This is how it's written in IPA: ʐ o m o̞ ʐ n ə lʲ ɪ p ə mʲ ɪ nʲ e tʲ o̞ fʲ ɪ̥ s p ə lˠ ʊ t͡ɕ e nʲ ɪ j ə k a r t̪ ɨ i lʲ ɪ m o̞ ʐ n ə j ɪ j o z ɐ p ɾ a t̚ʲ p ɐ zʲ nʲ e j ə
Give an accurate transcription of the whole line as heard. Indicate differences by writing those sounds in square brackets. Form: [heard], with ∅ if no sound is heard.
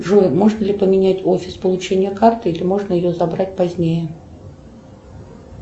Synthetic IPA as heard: ʐ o m o̞ ʐ n ə lʲ ɪ p ə mʲ ɪ nʲ [æ] tʲ o̞ fʲ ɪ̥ s p ə lˠ ʊ t͡ɕ e nʲ ɪ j ə k a r t̪ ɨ i lʲ ɪ m o̞ ʐ n ə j ɪ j o z ɐ [b] ɾ a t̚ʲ p ɐ zʲ nʲ e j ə